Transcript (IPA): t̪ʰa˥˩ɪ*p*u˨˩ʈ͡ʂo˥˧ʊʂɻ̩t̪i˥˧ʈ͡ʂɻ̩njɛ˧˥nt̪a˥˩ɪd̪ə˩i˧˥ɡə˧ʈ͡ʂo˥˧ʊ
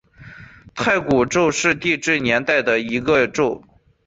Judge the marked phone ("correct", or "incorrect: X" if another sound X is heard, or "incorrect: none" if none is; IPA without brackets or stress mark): incorrect: k